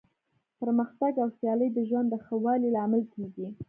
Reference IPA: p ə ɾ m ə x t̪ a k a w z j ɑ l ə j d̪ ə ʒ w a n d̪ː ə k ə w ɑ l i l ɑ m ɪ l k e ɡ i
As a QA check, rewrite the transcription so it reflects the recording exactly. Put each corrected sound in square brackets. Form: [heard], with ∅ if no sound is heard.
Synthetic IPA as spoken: p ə ɾ m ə x t̪ a [ɡ] a w [s] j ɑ l ə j d̪ ə ʒ w a n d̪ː ə [x] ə w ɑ l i l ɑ m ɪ l k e ɡ i